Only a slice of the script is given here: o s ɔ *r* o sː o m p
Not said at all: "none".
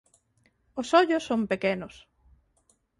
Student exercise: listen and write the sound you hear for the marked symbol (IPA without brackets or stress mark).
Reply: ʎ